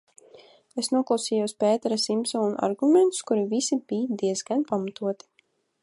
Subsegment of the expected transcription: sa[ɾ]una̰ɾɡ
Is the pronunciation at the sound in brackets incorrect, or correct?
incorrect